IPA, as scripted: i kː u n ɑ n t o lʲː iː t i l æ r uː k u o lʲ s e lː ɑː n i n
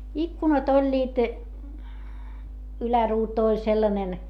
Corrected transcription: i kː u n ɑ t o lʲː iː t y l æ r uː t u o lʲ s e lː ɑ n e n